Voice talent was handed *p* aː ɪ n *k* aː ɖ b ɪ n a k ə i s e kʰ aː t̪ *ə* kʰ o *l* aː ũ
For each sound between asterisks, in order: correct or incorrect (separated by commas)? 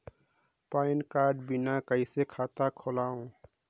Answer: correct, correct, incorrect, correct